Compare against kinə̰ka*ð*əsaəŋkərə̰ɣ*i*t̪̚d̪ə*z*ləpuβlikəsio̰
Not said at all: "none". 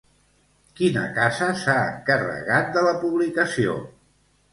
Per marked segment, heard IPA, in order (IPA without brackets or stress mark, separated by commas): z, a, none